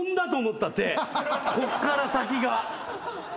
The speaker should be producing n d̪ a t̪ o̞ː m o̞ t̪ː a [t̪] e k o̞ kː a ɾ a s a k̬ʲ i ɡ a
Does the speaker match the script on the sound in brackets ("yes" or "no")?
yes